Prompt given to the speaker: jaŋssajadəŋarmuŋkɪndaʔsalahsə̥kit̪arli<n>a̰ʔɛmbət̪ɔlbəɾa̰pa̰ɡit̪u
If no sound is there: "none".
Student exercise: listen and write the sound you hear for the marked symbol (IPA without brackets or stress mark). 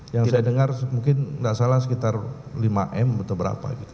m